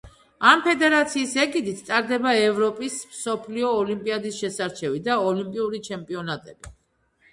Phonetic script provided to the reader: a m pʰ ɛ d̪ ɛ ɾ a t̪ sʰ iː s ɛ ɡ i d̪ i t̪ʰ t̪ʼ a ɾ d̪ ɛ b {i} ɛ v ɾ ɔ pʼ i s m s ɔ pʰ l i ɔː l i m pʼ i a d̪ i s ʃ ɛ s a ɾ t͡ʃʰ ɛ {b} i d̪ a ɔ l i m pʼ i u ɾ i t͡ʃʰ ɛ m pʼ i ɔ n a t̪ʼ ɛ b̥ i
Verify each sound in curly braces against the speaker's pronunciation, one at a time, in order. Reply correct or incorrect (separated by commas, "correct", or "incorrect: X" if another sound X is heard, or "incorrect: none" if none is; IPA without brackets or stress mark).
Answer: incorrect: a, incorrect: v